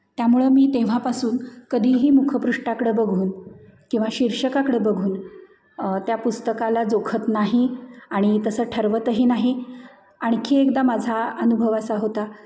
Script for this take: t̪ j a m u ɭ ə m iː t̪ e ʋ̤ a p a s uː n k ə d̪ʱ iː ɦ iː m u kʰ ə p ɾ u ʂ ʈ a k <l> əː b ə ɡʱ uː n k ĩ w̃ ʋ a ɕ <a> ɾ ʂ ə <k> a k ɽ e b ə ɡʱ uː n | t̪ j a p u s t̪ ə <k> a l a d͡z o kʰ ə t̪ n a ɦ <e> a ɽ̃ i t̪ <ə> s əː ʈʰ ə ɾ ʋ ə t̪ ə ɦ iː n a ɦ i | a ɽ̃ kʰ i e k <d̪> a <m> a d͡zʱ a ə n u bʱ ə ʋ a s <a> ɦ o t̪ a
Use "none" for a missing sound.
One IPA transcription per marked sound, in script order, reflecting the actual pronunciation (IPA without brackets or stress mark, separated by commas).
ɽ, i, k, k, i, ə, d̪, m, a